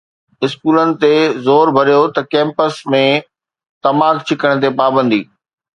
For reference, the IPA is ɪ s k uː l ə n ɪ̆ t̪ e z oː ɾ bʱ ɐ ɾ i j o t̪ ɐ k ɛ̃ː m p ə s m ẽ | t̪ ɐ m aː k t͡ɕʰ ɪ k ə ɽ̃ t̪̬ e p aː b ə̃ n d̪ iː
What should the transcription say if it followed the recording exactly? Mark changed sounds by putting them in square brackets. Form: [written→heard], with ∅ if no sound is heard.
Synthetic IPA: ɪ s k uː l ə n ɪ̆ t̪ e z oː ɾ bʱ ɐ ɾ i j o t̪ ɐ k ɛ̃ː m p ə s m ẽ | t̪ ɐ m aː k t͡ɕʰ ɪ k ə ɽ̃ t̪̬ e p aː b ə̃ n d̪ iː

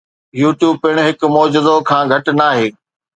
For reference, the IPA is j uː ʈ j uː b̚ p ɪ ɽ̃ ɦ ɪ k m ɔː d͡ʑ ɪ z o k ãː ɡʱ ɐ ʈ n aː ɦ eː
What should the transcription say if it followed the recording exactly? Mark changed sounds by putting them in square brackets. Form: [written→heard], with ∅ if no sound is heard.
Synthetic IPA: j uː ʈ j uː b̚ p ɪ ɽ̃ ɦ ɪ k m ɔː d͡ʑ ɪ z o [k→kʰ] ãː ɡʱ ɐ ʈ n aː ɦ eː

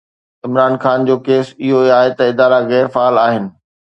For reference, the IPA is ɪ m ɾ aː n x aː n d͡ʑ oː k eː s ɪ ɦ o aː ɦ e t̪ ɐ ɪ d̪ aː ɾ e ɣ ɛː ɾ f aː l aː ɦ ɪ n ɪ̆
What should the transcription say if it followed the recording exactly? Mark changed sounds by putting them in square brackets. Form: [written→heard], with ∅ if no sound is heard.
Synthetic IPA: ɪ m ɾ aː n x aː n d͡ʑ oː k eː s ɪ ɦ o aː ɦ e t̪ ɐ ɪ d̪ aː ɾ [e→a] ɣ ɛː ɾ f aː l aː ɦ ɪ n ɪ̆

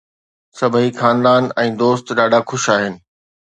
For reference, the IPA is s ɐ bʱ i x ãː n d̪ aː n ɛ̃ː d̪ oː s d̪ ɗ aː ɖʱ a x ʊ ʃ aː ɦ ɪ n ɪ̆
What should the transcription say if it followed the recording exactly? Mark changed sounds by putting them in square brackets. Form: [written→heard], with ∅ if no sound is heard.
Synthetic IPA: s ɐ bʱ i x [ãː→aː] n d̪ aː n ɛ̃ː d̪ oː s [d̪→t̪] ɗ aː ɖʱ a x ʊ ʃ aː ɦ ɪ n ɪ̆

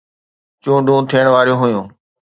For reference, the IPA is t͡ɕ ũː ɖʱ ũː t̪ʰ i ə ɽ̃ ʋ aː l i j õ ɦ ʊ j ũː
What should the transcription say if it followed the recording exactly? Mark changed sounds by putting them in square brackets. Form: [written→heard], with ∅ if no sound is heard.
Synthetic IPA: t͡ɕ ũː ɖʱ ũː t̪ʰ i ə ɽ̃ ʋ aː [l→ɾ] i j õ ɦ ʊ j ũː

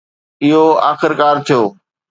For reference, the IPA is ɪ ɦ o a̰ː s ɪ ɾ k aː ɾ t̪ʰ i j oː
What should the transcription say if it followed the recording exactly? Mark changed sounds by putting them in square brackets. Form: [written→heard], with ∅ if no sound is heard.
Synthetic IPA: ɪ ɦ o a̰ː [s→x] ɪ ɾ k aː ɾ t̪ʰ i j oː

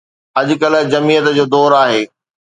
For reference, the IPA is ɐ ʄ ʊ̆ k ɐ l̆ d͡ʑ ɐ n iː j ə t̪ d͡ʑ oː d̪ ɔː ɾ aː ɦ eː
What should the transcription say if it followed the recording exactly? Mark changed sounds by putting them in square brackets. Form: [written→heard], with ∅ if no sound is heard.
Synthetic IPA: ɐ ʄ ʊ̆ k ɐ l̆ d͡ʑ ɐ [n→m] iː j ə t̪ d͡ʑ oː d̪ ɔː ɾ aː ɦ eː

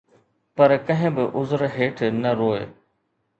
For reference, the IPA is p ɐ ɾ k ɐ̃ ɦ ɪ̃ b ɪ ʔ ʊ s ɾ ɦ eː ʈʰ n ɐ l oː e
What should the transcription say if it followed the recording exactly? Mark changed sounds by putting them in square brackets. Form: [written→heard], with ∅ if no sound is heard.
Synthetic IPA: p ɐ ɾ k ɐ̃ ɦ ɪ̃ b ɪ ʔ ʊ [s→z] ɾ ɦ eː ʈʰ n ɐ [l→ɾ] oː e

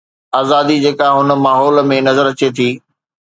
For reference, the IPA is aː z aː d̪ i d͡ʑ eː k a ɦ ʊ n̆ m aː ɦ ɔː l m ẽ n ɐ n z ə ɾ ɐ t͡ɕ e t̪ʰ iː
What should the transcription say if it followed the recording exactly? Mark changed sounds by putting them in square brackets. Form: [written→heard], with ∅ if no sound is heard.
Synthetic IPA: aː z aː d̪ i d͡ʑ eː k a ɦ ʊ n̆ m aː ɦ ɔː l m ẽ n ɐ [n→∅] z ə ɾ ɐ t͡ɕ e t̪ʰ iː

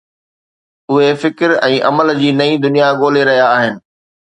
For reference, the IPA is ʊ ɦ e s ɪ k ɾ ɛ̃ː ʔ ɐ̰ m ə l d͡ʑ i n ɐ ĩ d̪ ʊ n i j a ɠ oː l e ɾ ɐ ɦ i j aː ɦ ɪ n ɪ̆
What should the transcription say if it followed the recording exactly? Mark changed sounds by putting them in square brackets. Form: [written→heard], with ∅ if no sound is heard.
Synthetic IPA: ʊ ɦ e [s→f] ɪ k ɾ ɛ̃ː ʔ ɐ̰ m ə l d͡ʑ [i→iː] n ɐ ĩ d̪ ʊ n i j a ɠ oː l e ɾ ɐ ɦ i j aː ɦ ɪ n ɪ̆

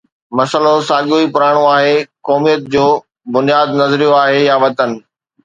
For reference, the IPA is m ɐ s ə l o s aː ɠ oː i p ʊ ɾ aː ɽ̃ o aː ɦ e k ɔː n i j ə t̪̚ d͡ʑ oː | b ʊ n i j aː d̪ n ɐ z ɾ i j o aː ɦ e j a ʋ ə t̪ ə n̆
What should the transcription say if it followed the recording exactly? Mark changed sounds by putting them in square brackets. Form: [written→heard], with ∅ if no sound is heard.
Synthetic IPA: m ɐ s ə l o s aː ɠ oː i p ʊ ɾ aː ɽ̃ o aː ɦ e k ɔː [n→m] i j ə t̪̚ d͡ʑ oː | b ʊ n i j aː d̪ n ɐ z ɾ i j o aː ɦ e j a ʋ [ə→ɐ] t̪ ə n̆

